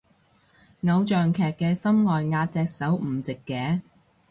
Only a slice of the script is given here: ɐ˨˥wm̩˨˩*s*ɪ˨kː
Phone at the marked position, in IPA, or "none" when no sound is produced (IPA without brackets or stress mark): t͡s